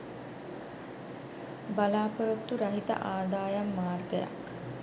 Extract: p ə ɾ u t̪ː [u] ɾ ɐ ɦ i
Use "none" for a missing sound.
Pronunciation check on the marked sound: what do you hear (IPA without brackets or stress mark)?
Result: u